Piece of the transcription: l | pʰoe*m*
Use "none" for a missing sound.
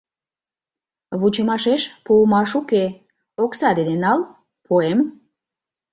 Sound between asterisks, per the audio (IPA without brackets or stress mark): m